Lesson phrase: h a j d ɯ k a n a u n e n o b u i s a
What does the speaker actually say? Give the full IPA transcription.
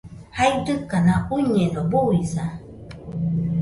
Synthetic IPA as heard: h a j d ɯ k a n a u ɲ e n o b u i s a